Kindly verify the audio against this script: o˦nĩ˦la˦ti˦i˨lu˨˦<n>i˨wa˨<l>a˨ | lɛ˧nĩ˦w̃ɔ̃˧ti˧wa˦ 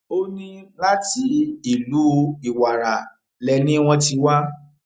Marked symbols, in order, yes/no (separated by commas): no, no